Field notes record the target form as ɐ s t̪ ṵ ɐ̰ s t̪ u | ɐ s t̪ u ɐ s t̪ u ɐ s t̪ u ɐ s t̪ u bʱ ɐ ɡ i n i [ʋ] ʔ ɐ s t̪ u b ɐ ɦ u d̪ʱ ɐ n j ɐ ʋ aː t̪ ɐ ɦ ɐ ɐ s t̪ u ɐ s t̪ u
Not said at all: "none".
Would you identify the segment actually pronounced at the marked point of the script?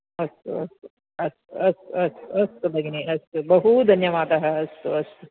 none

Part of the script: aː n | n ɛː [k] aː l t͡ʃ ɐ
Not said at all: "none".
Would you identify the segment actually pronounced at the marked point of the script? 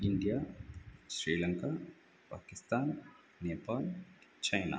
p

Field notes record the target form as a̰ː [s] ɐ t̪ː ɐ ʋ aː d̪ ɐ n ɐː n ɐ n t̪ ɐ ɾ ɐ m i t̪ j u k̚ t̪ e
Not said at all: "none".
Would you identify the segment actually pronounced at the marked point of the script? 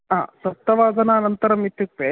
s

